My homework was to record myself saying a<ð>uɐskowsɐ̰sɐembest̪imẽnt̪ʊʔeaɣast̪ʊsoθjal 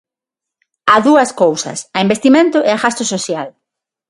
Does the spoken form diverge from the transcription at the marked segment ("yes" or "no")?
no